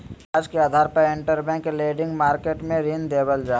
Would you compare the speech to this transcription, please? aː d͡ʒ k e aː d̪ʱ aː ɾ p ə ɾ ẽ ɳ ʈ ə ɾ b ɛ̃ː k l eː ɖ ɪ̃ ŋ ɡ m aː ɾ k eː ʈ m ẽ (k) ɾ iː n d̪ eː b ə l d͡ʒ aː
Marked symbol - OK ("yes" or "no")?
no